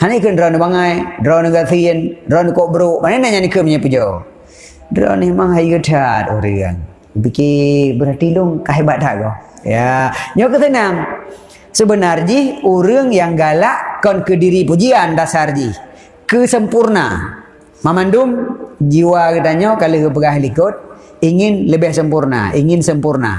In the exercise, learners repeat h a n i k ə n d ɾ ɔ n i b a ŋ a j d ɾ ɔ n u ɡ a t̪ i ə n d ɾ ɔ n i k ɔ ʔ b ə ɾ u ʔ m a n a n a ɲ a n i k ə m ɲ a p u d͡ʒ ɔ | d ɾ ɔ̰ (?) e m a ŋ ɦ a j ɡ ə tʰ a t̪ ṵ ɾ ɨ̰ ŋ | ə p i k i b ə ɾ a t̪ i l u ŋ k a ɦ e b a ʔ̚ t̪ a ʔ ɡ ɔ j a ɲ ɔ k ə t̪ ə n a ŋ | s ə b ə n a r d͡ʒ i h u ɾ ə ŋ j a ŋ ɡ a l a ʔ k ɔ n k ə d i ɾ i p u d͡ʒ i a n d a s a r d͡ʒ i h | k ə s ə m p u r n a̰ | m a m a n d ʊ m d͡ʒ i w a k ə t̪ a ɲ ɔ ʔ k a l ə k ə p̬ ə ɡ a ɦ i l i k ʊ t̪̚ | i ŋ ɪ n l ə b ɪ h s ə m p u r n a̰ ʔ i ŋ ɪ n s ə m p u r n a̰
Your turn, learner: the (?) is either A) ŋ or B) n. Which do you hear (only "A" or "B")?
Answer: B